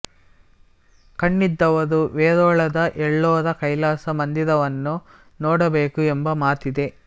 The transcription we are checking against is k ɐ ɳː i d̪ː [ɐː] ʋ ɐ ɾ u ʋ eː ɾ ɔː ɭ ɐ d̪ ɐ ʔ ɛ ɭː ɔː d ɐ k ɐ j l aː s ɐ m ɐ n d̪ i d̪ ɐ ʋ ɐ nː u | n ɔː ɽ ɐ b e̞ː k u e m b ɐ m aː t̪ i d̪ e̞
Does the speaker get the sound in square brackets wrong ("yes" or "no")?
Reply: yes